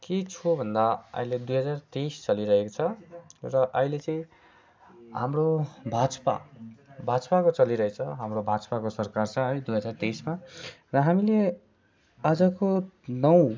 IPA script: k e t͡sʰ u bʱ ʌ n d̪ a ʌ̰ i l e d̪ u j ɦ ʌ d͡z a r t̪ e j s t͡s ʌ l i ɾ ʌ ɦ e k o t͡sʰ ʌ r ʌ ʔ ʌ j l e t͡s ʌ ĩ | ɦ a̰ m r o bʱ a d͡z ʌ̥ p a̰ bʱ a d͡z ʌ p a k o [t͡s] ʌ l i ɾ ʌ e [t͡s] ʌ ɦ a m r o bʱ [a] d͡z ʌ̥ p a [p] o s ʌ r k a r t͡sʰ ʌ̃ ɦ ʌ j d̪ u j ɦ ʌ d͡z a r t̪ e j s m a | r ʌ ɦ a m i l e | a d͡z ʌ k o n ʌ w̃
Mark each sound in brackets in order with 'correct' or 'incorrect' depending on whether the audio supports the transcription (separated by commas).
correct, incorrect, correct, incorrect